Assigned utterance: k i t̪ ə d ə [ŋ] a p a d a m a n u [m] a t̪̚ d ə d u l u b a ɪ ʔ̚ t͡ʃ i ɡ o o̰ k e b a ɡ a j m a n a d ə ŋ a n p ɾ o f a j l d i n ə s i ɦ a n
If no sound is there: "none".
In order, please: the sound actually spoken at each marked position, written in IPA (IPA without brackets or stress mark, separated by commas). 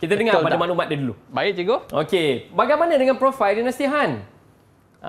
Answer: ŋ, m